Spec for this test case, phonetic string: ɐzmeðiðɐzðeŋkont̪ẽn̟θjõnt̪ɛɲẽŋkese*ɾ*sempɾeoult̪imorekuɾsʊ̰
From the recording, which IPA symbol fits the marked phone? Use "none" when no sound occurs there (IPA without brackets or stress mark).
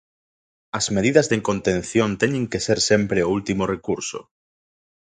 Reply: ɾ